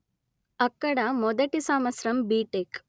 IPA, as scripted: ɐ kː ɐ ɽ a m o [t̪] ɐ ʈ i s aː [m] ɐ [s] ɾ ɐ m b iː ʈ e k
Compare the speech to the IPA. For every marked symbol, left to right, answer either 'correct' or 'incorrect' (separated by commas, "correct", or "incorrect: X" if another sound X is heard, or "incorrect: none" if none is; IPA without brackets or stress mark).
incorrect: d̪, correct, correct